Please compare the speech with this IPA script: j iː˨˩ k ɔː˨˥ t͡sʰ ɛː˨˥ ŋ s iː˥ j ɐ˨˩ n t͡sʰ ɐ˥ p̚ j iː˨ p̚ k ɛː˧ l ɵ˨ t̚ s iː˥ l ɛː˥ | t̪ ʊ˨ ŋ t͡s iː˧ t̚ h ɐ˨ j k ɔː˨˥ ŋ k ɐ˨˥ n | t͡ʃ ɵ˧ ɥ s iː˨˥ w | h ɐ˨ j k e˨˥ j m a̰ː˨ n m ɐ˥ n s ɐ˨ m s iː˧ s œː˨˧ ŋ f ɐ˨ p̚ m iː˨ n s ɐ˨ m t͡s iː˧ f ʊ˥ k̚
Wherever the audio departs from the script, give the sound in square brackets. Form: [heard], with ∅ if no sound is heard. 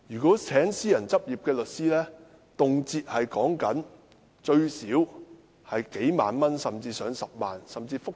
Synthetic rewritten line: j [yː˨˩] k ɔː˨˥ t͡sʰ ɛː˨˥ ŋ s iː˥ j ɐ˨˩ n [t͡s] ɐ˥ p̚ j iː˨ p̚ k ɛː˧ l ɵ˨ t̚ s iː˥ l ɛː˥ | t̪ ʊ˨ ŋ t͡s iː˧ t̚ h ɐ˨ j k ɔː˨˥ ŋ k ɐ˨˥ n | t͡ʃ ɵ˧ ɥ s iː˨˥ w | h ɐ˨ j k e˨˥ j m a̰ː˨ n m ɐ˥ n s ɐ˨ m [t͡s] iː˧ s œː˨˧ ŋ [s] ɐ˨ p̚ m [aː˨] n s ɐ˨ m t͡s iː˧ f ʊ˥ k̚